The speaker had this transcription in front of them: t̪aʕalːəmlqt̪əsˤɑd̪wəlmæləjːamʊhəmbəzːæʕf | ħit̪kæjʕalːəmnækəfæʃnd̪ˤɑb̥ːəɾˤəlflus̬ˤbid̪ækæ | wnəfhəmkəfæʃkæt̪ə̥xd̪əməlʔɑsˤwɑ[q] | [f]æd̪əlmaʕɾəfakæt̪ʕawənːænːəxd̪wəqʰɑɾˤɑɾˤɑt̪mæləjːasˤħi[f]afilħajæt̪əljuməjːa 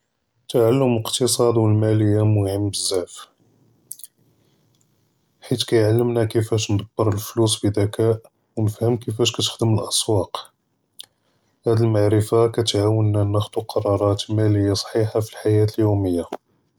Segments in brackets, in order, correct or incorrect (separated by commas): correct, incorrect, incorrect